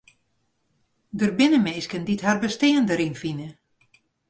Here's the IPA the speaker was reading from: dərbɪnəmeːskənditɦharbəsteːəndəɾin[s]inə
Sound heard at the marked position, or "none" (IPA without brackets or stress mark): f